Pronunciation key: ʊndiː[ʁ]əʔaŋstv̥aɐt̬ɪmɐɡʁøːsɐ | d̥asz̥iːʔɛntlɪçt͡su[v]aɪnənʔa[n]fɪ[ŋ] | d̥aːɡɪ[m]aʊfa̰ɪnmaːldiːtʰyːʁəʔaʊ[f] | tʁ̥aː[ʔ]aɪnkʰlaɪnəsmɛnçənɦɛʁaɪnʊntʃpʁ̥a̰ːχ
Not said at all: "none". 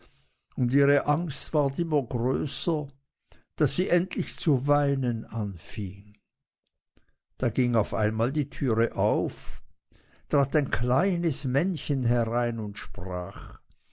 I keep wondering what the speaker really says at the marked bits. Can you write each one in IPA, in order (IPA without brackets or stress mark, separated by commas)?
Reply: ʁ, v, n, ŋ, ŋ, f, t